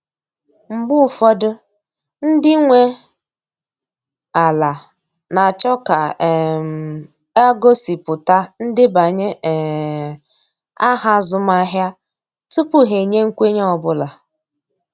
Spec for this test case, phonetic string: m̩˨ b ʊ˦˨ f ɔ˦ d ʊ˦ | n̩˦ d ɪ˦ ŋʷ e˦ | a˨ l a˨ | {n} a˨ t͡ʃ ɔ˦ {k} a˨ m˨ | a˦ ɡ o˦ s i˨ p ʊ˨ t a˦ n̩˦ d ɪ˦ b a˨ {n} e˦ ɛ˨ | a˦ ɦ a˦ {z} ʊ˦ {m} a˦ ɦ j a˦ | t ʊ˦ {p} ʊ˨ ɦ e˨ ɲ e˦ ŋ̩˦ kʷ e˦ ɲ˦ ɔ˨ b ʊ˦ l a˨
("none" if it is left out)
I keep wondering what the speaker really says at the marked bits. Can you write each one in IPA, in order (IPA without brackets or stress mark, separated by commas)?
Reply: n, k, ɲ, z, m, p